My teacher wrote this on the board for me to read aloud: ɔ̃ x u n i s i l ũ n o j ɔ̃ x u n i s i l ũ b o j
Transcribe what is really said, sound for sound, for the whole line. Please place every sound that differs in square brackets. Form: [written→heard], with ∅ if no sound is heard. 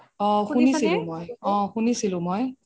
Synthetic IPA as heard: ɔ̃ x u n i s i l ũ [n→m] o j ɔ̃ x u n i s i l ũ [b→m] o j